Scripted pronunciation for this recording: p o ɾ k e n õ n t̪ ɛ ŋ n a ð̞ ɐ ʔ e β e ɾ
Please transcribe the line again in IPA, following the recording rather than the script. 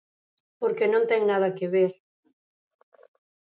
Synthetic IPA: p o ɾ k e n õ n t̪ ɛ ŋ n a ð̞ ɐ k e β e ɾ